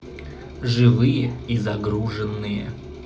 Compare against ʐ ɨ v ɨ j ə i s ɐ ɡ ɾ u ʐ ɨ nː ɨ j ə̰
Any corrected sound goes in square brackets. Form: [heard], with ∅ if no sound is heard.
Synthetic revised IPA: ʐ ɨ v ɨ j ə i [z] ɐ ɡ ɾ u ʐ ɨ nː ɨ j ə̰